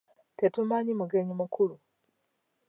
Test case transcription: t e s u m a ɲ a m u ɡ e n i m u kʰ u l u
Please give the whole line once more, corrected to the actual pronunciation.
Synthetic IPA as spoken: t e t u m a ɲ i m u ɡ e ɲ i m u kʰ u l u